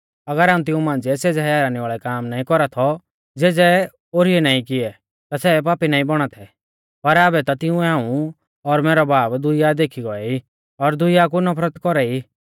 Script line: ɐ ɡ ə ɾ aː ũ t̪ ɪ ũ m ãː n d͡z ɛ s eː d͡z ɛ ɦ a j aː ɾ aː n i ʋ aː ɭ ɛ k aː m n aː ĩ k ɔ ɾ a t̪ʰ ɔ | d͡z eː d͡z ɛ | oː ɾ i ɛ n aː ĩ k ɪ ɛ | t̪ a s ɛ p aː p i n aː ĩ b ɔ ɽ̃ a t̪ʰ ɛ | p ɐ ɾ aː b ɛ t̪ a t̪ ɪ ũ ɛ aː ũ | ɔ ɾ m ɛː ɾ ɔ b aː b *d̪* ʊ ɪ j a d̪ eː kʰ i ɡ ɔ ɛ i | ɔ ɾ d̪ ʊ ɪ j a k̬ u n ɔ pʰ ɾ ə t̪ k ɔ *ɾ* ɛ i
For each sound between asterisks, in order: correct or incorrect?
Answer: correct, correct

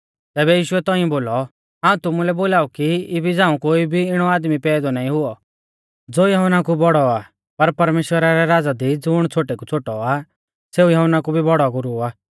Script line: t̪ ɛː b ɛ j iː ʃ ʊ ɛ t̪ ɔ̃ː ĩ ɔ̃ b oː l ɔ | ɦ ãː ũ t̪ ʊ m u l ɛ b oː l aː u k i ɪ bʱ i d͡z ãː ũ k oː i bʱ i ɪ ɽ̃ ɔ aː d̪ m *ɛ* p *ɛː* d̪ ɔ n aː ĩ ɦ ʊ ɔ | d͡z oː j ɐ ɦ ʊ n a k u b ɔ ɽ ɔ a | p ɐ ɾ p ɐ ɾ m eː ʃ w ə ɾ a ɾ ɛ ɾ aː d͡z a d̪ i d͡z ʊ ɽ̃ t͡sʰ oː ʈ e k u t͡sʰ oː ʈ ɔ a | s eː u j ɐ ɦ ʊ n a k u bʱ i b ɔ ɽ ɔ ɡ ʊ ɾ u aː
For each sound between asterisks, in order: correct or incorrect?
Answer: incorrect: i, correct

